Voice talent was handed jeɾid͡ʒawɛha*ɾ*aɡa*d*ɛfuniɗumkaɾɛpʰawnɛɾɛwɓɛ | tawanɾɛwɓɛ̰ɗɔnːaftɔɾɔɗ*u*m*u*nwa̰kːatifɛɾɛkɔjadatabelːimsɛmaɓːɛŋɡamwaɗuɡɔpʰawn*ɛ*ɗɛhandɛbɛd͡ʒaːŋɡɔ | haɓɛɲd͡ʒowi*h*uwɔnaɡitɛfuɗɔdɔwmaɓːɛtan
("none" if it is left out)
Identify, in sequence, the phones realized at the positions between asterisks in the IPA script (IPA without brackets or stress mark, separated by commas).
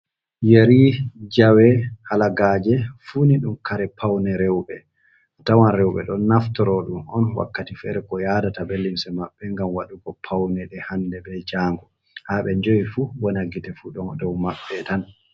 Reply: l, d͡ʒ, u, ɔ, ɛ, f